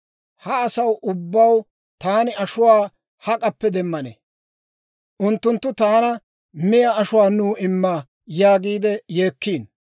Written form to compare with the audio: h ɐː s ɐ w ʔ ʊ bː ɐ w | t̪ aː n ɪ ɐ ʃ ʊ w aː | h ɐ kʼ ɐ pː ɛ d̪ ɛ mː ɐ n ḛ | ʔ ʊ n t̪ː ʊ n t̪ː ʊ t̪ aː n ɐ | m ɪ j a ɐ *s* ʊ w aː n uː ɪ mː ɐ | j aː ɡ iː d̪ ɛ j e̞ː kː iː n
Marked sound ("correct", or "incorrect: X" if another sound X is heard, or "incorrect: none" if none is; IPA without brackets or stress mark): incorrect: ʃ